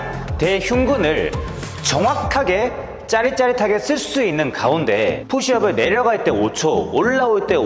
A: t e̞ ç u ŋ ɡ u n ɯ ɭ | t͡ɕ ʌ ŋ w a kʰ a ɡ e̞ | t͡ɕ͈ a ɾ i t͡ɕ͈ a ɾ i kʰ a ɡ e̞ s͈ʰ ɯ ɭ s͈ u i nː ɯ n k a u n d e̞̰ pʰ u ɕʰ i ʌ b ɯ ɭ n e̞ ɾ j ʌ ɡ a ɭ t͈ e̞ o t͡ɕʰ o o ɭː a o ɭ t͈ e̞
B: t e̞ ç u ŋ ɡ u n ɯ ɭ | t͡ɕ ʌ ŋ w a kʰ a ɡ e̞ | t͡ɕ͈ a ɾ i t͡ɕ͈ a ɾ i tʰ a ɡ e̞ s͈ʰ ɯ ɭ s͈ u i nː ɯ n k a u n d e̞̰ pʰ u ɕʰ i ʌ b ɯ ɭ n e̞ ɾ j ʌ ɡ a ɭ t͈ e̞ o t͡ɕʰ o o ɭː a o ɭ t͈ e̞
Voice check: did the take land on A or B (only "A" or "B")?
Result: B